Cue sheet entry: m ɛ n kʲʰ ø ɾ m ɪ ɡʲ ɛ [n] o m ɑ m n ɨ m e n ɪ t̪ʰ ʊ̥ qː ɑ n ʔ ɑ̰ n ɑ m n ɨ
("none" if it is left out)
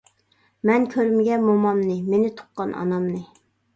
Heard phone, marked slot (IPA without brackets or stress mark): m